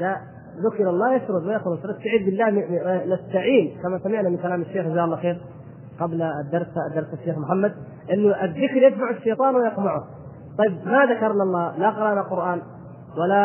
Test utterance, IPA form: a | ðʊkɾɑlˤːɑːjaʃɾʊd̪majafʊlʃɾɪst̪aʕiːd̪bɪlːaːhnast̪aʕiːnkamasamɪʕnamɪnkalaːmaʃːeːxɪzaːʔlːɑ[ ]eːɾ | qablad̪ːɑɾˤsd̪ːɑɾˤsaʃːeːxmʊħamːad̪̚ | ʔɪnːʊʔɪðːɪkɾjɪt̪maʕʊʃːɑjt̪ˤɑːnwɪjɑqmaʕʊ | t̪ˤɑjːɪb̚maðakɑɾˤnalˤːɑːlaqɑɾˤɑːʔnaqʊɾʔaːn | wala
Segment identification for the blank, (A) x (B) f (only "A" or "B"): A